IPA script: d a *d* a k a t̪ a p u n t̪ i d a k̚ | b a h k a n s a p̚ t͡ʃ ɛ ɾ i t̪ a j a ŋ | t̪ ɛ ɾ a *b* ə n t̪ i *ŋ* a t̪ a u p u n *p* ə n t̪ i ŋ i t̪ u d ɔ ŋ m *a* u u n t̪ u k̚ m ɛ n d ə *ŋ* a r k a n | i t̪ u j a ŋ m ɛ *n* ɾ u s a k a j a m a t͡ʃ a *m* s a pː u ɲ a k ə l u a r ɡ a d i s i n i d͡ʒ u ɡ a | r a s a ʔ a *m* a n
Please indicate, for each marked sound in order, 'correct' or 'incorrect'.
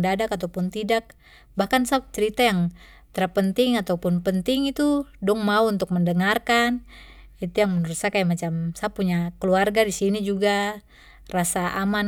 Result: correct, incorrect: p, correct, correct, correct, correct, correct, correct, correct

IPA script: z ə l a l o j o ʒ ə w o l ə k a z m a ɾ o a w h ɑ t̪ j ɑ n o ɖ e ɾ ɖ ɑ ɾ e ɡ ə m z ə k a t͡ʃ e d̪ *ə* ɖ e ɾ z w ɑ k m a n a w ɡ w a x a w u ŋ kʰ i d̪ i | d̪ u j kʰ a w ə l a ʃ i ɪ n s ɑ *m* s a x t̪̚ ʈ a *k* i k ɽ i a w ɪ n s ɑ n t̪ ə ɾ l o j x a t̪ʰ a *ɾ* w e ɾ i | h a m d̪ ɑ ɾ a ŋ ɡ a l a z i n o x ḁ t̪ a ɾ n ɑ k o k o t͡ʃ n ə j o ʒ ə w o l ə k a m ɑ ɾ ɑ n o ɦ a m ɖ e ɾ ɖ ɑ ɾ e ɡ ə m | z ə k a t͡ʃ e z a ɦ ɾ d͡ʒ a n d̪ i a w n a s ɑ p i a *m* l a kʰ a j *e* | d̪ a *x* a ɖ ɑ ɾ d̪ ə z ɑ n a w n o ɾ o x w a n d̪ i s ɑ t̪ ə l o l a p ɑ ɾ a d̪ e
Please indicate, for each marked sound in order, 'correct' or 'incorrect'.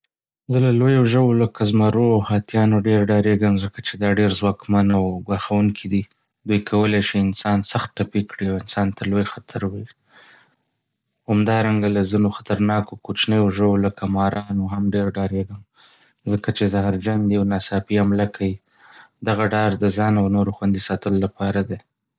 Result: incorrect: ɑ, incorrect: n, incorrect: p, correct, correct, incorrect: i, incorrect: ɣ

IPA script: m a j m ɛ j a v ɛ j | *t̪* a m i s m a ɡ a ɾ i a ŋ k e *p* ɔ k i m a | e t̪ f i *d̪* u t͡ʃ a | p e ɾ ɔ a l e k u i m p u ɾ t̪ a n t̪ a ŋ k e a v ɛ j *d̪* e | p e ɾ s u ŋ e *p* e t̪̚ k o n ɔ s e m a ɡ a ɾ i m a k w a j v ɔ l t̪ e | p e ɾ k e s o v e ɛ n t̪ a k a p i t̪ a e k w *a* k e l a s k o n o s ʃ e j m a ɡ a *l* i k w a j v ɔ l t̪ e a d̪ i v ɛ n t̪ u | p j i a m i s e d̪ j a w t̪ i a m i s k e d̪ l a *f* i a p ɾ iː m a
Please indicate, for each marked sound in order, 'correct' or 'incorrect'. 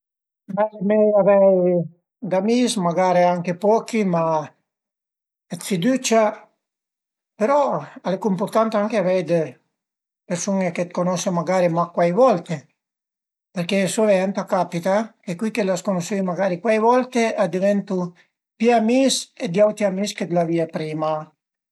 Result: incorrect: d̪, correct, correct, correct, incorrect: k, incorrect: i, incorrect: ɾ, incorrect: v

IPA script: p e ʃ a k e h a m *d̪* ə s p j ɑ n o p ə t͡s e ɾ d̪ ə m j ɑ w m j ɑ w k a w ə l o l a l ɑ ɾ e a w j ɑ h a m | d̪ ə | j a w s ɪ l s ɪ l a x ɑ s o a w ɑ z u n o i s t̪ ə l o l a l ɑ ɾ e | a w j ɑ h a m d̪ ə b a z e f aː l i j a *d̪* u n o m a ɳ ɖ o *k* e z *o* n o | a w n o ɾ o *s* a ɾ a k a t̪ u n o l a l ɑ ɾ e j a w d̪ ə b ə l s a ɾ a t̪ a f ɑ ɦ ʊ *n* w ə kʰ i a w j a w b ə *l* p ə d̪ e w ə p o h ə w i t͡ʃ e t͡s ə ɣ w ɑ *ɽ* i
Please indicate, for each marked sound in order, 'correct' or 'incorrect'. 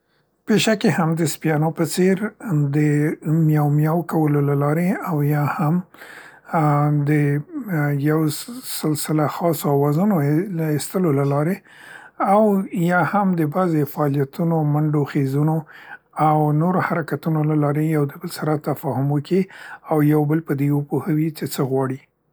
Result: correct, incorrect: t̪, incorrect: x, incorrect: u, incorrect: h, incorrect: m, correct, correct

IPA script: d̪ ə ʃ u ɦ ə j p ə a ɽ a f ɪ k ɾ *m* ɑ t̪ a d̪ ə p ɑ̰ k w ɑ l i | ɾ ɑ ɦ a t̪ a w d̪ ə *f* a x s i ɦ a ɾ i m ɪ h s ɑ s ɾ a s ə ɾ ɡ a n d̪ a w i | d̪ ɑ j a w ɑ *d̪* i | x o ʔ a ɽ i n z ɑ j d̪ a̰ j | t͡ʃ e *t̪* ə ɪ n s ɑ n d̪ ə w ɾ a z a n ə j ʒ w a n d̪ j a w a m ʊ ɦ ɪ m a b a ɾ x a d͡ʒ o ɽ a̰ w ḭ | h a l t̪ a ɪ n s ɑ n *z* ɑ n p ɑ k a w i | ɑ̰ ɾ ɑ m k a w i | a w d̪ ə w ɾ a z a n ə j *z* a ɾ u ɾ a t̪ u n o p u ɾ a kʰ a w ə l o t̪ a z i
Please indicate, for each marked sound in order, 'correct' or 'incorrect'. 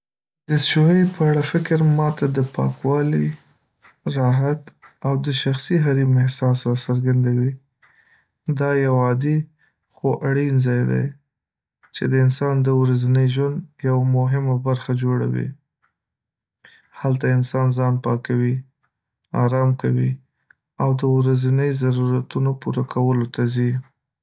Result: correct, incorrect: ʃ, correct, incorrect: d̪, correct, correct

